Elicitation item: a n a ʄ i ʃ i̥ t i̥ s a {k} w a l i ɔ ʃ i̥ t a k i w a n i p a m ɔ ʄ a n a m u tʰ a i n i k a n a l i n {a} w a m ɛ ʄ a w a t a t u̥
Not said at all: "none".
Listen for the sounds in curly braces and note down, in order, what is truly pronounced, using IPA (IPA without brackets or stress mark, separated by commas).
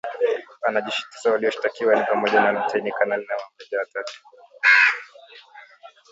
none, a